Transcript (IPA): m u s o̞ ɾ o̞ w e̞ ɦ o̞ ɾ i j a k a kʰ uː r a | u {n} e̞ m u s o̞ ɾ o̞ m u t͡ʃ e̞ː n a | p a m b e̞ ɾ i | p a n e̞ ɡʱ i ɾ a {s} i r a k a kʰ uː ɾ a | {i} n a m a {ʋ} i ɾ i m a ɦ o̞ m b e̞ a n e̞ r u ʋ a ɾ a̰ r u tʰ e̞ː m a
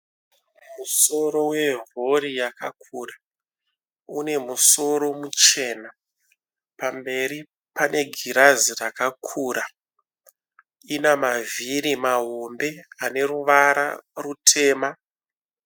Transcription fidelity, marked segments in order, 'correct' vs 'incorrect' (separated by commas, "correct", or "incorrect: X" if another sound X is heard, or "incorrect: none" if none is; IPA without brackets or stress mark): correct, incorrect: z, correct, incorrect: v